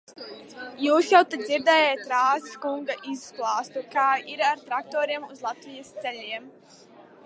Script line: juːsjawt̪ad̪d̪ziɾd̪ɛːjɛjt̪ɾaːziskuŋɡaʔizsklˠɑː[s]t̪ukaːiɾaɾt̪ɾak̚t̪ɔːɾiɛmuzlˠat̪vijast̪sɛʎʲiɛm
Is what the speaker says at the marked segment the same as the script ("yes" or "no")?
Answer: yes